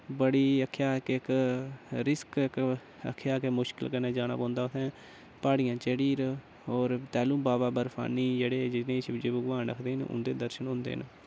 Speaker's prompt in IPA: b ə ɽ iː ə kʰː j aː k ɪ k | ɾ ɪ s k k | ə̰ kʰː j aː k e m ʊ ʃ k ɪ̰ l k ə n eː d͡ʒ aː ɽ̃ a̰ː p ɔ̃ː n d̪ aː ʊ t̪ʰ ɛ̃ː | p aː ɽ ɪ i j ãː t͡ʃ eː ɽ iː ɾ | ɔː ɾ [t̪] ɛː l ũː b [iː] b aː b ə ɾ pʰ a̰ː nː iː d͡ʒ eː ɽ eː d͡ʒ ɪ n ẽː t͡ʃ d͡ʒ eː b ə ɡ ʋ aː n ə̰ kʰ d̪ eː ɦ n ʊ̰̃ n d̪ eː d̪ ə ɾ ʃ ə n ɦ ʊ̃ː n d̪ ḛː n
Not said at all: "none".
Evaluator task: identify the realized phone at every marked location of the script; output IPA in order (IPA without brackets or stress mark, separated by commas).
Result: t̪, aː